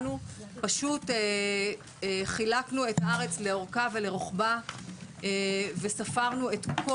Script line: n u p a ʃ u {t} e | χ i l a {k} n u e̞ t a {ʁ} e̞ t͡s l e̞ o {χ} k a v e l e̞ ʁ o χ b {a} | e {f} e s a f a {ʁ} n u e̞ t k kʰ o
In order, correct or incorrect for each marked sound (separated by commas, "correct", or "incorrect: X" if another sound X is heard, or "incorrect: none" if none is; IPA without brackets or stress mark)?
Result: correct, correct, correct, incorrect: ʁ, correct, incorrect: v, correct